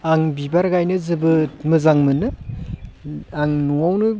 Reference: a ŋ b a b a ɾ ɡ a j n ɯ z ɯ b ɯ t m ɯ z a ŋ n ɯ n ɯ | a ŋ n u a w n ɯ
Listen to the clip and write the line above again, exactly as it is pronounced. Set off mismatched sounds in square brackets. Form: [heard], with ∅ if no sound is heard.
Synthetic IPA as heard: a ŋ b [i] b a ɾ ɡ a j n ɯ z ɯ b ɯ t m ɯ z a ŋ [m] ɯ n ɯ | a ŋ n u a w n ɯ